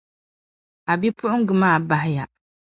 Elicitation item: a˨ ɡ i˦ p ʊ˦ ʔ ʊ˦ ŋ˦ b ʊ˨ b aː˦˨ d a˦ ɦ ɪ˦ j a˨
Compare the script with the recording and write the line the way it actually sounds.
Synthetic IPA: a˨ b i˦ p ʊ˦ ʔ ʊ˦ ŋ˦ ɡ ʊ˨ m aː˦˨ b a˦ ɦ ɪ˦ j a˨